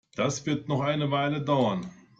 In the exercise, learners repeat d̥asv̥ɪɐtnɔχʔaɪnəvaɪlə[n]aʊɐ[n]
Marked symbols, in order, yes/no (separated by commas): no, yes